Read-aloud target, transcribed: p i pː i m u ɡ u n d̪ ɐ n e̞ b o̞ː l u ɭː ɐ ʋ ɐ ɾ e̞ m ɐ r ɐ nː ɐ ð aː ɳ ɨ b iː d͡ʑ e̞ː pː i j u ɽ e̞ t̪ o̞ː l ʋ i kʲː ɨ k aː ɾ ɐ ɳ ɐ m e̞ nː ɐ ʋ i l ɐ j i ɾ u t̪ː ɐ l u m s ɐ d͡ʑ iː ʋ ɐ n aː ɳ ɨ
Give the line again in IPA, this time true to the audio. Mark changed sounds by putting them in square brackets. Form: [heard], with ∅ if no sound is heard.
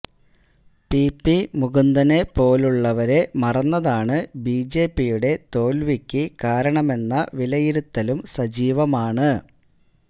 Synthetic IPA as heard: p i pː i m u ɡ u n d̪ ɐ n e̞ [p] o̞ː l u ɭː ɐ ʋ ɐ ɾ e̞ m ɐ r ɐ nː ɐ ð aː ɳ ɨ b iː d͡ʑ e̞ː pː i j u ɽ e̞ t̪ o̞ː l ʋ i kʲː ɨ k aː ɾ ɐ ɳ ɐ m e̞ nː ɐ ʋ i l ɐ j i ɾ u t̪ː ɐ l u m s ɐ d͡ʑ iː ʋ ɐ [m] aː ɳ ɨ

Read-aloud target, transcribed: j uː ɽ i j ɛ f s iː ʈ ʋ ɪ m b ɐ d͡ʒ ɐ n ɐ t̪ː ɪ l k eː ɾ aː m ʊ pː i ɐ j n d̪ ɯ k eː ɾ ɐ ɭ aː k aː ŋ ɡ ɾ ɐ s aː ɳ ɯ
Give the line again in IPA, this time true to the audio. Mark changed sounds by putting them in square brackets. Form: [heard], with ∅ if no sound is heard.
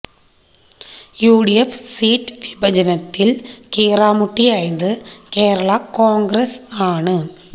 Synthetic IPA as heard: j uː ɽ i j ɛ f s iː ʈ ʋ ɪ [∅] b ɐ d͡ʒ ɐ n ɐ t̪ː ɪ l k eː ɾ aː m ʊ [ʈː] i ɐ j n d̪ ɯ k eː ɾ ɐ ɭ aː k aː ŋ ɡ ɾ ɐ s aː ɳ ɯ

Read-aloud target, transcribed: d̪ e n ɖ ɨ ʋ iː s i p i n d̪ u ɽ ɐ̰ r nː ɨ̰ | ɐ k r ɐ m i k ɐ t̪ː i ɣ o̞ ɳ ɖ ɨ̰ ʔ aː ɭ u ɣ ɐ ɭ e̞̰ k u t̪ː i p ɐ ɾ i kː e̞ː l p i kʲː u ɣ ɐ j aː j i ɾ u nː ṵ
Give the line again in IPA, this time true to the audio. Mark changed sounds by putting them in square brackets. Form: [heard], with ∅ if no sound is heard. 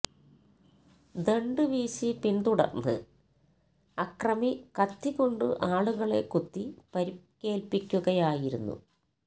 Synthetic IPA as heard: d̪ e [ɳ] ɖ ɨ ʋ iː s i p i n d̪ u ɽ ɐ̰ r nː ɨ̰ | ɐ k r ɐ m i k ɐ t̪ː i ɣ o̞ ɳ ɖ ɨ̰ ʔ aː ɭ u ɣ ɐ ɭ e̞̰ k u t̪ː i p ɐ ɾ i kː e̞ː l p i kʲː u ɣ ɐ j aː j i ɾ u nː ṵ

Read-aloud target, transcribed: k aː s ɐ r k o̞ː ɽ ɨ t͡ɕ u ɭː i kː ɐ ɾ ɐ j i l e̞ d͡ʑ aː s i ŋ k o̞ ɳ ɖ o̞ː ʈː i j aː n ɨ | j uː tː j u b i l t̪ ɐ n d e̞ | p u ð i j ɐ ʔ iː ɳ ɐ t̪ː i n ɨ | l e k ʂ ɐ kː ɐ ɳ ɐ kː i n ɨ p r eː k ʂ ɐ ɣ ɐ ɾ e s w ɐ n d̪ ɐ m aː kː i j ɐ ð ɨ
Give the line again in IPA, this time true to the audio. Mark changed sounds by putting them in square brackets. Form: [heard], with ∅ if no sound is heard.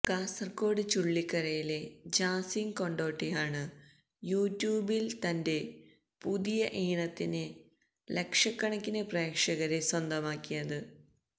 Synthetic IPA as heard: k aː s ɐ r k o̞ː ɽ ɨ t͡ɕ u ɭː i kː ɐ ɾ ɐ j i l e̞ d͡ʑ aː s i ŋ k o̞ ɳ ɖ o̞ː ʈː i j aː [ɳ] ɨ | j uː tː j [uː] b i l t̪ ɐ n d e̞ | p u ð i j ɐ ʔ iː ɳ ɐ t̪ː i n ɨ | l e k ʂ ɐ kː ɐ ɳ ɐ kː i n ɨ p r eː k ʂ ɐ ɣ ɐ ɾ e s w ɐ n d̪ ɐ m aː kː i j ɐ ð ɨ

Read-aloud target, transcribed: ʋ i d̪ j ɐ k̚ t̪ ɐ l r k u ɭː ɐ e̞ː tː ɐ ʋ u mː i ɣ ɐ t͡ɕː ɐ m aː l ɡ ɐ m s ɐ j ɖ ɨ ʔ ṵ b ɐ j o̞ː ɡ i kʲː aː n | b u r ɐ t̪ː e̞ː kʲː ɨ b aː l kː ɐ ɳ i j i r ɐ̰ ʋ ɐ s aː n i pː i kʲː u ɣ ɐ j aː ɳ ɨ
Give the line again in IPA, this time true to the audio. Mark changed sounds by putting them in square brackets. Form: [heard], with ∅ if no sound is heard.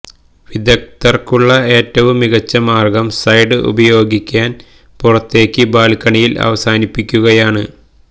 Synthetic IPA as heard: ʋ i d̪ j ɐ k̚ t̪ ɐ [∅] r k u ɭː ɐ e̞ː tː ɐ ʋ u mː i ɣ ɐ t͡ɕː ɐ m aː [r] ɡ ɐ m s ɐ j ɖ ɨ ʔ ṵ b ɐ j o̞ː ɡ i kʲː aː n | [p] u r ɐ t̪ː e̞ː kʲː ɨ b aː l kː ɐ ɳ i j i [l] ɐ̰ ʋ ɐ s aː n i pː i kʲː u ɣ ɐ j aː ɳ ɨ

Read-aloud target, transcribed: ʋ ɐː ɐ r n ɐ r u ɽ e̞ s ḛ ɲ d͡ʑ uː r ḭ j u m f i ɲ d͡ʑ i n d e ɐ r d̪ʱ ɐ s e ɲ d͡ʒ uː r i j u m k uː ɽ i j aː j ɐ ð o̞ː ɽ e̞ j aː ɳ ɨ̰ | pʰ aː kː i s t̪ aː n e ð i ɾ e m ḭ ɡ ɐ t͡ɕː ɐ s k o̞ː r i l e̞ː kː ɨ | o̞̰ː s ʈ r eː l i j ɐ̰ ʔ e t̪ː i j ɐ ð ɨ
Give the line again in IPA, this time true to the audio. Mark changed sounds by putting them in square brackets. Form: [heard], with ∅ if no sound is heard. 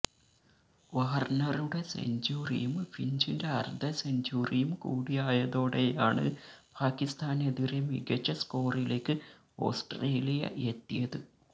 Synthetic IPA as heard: ʋ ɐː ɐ r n ɐ r u ɽ e̞ s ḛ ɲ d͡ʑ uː r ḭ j u m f i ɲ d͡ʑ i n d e ɐ r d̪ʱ ɐ s e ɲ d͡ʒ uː r i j u m k uː ɽ i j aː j ɐ ð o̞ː ɽ e̞ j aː ɳ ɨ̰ | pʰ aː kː i s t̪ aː n e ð i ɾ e m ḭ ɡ ɐ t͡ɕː ɐ s k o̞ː r i l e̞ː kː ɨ | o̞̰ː s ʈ r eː l i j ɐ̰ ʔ e t̪ː i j ɐ ð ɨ

